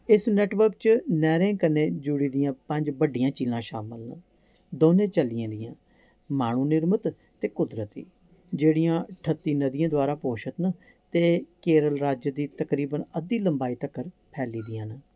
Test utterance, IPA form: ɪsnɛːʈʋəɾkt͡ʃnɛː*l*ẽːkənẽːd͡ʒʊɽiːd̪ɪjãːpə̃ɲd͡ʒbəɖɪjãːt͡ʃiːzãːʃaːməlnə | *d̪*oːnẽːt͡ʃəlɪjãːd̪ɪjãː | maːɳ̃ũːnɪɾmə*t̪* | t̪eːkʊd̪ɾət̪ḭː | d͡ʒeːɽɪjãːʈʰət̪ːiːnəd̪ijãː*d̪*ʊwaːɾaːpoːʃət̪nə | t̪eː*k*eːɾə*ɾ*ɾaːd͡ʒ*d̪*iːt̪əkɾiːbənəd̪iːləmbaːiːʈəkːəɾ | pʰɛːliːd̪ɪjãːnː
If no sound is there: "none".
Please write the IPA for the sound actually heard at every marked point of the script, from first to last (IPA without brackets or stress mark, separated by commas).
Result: ɾ, d̪, t̪, d̪, k, l, d̪